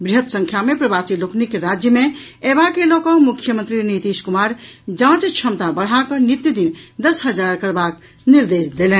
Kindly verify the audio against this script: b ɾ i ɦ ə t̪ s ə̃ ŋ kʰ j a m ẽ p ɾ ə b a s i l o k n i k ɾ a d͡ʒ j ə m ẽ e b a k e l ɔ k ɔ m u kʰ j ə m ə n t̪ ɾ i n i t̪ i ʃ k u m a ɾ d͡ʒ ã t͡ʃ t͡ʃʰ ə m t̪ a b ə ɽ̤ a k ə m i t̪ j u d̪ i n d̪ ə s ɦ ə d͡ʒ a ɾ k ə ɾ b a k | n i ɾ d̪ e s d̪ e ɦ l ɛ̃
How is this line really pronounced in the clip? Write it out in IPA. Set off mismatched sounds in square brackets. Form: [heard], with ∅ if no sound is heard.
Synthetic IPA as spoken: b ɾ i ɦ ə t̪ s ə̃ ŋ kʰ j a m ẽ p ɾ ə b a s i l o k n i k ɾ a d͡ʒ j ə m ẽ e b a k e l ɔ k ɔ m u kʰ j ə m ə n t̪ ɾ i n i t̪ i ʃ k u m a ɾ d͡ʒ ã t͡ʃ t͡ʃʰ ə m t̪ a b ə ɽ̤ a k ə [n] i t̪ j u d̪ i n d̪ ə s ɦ ə d͡ʒ a ɾ k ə ɾ b a k | n i ɾ d̪ e s d̪ e [∅] l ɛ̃